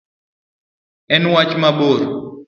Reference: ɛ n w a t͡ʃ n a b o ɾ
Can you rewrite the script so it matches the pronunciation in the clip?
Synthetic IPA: ɛ n w a t͡ʃ m a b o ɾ